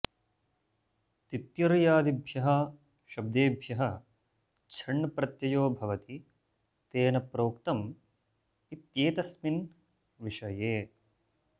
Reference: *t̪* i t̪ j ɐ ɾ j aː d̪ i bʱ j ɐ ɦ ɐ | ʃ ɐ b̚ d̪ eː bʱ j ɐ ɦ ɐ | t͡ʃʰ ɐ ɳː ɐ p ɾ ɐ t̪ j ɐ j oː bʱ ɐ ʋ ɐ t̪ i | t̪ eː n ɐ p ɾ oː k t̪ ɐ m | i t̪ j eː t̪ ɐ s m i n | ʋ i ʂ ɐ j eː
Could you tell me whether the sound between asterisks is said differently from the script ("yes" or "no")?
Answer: no